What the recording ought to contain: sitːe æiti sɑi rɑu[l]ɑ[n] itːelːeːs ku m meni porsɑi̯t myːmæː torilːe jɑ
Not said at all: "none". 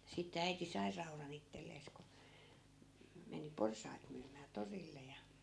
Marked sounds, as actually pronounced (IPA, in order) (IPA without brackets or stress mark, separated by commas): r, n